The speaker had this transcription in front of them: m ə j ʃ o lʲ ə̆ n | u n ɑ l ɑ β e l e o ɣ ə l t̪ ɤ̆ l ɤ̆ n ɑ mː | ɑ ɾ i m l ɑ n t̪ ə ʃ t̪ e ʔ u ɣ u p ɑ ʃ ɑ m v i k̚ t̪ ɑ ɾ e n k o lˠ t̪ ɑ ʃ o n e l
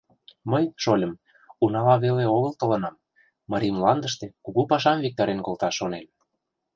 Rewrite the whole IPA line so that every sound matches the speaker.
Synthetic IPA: m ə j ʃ o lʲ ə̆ m | u n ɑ l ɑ β e l e o ɣ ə l t̪ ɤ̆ l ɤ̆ n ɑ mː | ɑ ɾ i m l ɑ n d̪ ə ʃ t̪ e k u ɣ u p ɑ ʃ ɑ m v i k̚ t̪ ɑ ɾ e n k o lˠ t̪ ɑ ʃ o n e l